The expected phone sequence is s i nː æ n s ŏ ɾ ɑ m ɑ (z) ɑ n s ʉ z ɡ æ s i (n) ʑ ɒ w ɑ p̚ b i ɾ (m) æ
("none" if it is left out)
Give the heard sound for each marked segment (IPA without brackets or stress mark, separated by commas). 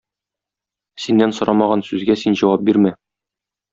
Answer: ʁ, n, m